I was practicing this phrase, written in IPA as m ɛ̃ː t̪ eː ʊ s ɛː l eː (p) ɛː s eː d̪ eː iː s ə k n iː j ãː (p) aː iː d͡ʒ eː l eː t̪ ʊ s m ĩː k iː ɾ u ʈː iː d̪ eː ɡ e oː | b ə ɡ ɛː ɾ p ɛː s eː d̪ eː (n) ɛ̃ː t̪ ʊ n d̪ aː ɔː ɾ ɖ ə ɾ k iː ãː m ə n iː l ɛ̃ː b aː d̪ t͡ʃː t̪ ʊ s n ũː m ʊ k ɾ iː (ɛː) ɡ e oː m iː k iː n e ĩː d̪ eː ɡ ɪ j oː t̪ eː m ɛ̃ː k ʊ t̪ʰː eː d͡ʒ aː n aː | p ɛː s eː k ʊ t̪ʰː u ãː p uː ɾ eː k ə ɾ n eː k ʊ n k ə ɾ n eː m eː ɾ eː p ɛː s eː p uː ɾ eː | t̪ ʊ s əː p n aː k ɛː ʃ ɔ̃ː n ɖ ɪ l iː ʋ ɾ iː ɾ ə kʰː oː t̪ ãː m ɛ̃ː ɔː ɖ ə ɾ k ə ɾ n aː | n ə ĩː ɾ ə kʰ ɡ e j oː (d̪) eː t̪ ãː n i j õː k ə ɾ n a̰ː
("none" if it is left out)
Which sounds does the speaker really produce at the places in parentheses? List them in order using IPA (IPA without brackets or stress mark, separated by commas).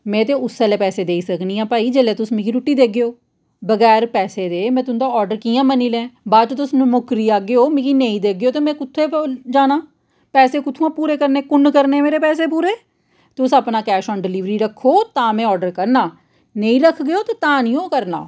p, p, m, aː, t̪